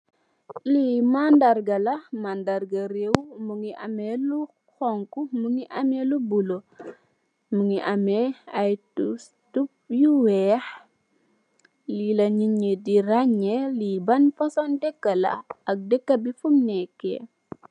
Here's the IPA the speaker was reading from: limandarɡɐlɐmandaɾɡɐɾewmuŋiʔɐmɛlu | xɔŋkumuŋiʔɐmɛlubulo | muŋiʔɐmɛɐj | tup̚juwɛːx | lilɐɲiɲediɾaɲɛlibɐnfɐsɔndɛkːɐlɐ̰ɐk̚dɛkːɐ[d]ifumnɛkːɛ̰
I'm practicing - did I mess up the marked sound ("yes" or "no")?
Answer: yes